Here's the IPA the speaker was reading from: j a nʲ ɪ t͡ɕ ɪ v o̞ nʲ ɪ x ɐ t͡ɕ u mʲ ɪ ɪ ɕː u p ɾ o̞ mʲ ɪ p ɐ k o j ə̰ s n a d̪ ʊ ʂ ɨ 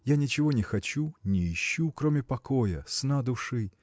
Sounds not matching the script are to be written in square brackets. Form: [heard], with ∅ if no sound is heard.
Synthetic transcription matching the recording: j a nʲ ɪ t͡ɕ ɪ v o̞ nʲ ɪ x ɐ t͡ɕ u [nʲ] ɪ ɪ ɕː u [k] ɾ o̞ mʲ ɪ p ɐ k o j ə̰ s n a d̪ ʊ ʂ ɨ

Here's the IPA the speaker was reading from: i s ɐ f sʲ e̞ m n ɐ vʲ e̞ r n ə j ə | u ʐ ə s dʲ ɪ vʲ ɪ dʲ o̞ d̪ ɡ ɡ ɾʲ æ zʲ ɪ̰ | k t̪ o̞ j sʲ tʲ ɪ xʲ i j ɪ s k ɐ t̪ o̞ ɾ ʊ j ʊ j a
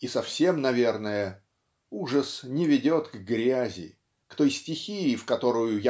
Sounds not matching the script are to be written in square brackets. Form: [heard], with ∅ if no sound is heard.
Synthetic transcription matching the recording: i s ɐ f sʲ e̞ m n ɐ vʲ e̞ r n ə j ə | u ʐ ə s [nʲ] ɪ vʲ ɪ dʲ o̞ [t̪] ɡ ɡ ɾʲ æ zʲ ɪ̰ | k t̪ o̞ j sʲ tʲ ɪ xʲ i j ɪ [f] k ɐ t̪ o̞ ɾ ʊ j ʊ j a

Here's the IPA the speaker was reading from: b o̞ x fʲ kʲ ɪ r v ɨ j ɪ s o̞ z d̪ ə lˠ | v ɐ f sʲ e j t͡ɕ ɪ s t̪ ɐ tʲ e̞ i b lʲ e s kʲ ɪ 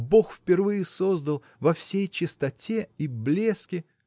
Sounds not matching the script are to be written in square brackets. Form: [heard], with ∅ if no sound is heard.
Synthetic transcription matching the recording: b o̞ x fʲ [pʲ] ɪ r v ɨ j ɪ s o̞ z d̪ ə lˠ | v ɐ f sʲ e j t͡ɕ ɪ s t̪ ɐ tʲ e̞ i b lʲ e s kʲ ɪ

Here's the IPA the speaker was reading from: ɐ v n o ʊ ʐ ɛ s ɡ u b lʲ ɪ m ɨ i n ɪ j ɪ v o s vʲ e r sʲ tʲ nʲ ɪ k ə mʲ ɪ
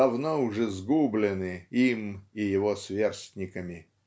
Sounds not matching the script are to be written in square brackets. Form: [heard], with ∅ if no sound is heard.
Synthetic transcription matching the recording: ɐ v n o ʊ ʐ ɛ [z] ɡ u b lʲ ɪ [n] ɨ i [m] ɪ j ɪ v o s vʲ e r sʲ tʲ nʲ ɪ k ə mʲ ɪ

